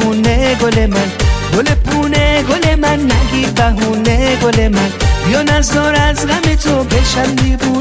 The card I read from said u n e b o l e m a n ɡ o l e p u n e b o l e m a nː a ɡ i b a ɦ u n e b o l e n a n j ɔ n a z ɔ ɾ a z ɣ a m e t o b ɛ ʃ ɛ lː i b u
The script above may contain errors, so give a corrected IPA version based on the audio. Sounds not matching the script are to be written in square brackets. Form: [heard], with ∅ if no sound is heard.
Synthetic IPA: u n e [ɡ] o l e m a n ɡ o l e p u n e [ɡ] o l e m a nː a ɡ i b a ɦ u n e [ɡ] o l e [m] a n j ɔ n a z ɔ ɾ a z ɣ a m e t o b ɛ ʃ [a] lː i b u